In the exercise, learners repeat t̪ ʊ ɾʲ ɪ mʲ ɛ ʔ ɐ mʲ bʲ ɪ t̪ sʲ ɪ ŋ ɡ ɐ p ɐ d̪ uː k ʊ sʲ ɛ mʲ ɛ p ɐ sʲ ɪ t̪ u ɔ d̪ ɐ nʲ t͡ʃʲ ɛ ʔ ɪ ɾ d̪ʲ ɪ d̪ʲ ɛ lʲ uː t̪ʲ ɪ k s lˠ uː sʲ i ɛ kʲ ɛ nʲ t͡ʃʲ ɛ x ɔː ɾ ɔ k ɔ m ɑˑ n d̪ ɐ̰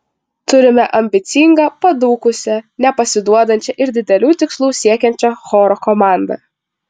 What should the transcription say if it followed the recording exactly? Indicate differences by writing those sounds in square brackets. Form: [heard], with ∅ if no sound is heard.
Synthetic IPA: t̪ ʊ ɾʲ ɪ mʲ ɛ ʔ ɐ mʲ bʲ ɪ t̪ sʲ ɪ ŋ ɡ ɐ p ɐ d̪ uː k ʊ sʲ ɛ [nʲ] ɛ p ɐ sʲ ɪ [d̪] u ɔ d̪ ɐ nʲ t͡ʃʲ ɛ ʔ ɪ ɾ d̪ʲ ɪ d̪ʲ ɛ lʲ uː t̪ʲ ɪ k s lˠ uː sʲ i ɛ kʲ ɛ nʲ t͡ʃʲ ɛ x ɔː ɾ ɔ k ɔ m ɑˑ n d̪ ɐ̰